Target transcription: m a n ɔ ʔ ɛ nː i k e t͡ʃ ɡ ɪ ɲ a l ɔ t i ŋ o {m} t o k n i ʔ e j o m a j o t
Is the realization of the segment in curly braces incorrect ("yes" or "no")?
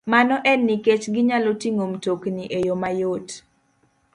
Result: no